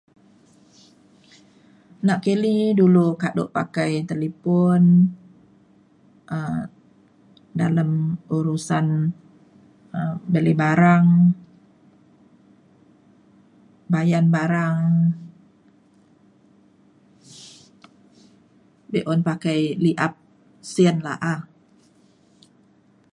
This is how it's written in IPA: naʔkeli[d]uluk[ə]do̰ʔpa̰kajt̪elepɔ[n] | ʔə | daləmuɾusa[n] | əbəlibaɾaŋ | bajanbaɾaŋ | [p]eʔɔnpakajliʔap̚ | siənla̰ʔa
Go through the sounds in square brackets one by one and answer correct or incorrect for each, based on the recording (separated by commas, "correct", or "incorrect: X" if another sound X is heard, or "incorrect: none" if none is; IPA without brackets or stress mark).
correct, incorrect: a, correct, correct, incorrect: b